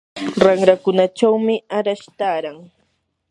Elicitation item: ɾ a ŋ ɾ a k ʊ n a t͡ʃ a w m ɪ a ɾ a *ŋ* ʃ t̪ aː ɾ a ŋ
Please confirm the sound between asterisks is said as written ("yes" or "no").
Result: no